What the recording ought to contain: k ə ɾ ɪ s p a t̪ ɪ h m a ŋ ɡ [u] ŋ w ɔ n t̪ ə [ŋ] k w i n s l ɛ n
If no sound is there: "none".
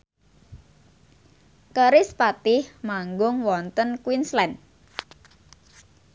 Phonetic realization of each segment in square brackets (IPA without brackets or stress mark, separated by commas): ʊ, n